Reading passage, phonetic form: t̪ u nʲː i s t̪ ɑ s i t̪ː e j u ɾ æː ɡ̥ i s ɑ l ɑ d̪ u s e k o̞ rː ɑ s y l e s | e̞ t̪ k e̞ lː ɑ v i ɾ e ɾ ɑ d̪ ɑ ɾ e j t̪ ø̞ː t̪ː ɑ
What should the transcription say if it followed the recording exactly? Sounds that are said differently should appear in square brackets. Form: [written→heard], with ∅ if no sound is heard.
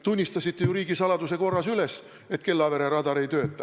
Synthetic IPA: t̪ u nʲː i s t̪ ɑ s i t̪ː e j u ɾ [æː→iː] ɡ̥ i s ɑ l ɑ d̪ u s e k o̞ rː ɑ s y l e s | e̞ t̪ k e̞ lː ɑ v [i→e] ɾ e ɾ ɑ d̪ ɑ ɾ e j t̪ ø̞ː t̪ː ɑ